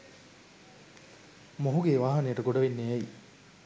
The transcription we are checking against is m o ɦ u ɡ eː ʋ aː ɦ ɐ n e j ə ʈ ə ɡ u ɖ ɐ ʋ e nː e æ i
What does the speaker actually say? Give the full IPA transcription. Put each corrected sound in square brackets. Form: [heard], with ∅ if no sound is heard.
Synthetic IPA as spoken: m o ɦ u ɡ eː ʋ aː ɦ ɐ n e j ə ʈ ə ɡ [o] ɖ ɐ ʋ e nː e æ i